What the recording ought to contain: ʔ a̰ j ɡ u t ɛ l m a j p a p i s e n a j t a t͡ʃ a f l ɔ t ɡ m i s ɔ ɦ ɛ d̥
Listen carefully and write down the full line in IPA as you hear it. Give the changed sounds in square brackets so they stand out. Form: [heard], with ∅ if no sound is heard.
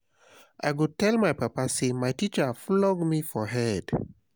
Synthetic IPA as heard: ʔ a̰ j ɡ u t ɛ l m a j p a p [a] s e [m] a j t [i] t͡ʃ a f l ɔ [∅] ɡ m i [f] ɔ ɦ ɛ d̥